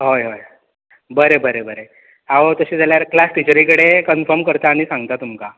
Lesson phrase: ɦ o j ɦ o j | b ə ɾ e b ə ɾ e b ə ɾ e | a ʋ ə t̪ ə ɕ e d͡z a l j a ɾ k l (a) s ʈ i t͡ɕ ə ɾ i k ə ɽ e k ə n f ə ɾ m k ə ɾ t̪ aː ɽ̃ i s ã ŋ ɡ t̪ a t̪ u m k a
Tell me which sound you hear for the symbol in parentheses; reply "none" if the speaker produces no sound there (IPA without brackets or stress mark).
a